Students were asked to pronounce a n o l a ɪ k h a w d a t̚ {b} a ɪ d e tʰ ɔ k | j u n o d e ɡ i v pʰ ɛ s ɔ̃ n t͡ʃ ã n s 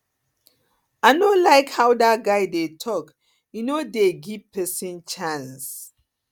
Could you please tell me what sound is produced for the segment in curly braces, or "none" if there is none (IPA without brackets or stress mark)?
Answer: ɡ